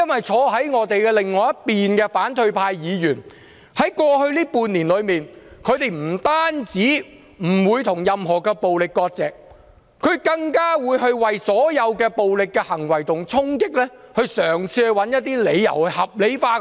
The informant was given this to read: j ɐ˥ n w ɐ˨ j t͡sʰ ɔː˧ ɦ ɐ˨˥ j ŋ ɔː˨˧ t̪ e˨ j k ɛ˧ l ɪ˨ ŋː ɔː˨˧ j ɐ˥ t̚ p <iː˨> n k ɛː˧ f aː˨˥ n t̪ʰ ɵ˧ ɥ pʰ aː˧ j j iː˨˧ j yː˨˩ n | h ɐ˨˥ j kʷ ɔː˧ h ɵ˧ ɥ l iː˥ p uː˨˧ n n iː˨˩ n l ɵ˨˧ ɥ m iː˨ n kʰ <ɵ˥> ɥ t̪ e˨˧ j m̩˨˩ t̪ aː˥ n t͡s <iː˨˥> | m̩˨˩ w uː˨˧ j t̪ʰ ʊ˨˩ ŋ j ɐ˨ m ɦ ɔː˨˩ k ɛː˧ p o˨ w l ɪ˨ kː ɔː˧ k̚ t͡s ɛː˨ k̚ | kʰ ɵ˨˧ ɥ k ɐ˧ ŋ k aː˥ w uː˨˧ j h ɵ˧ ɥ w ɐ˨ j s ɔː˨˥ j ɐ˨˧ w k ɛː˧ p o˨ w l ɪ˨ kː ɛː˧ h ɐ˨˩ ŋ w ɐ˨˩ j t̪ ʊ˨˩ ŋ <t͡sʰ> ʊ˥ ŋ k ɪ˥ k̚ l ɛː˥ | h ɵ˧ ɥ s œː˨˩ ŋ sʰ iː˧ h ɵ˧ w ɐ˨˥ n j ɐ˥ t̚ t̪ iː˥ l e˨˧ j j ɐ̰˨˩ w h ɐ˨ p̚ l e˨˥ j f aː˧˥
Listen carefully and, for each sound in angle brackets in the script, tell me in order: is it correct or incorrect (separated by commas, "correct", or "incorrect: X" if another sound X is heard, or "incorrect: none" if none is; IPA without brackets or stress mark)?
correct, incorrect: ɵ˨˧, correct, correct